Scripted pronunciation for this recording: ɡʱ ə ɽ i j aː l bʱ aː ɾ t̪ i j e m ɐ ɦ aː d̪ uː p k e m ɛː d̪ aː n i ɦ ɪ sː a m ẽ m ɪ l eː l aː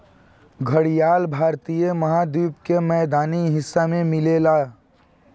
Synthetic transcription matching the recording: ɡʱ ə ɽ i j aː l bʱ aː ɾ t̪ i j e m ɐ ɦ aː d̪ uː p k e m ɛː d̪ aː n i ɦ ɪ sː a m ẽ m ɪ l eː l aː